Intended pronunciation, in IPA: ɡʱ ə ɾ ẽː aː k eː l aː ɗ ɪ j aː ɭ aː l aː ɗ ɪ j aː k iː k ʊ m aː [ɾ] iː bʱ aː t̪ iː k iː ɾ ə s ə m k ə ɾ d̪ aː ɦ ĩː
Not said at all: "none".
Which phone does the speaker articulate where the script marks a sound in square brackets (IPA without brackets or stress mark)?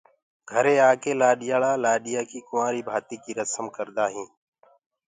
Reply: ɾ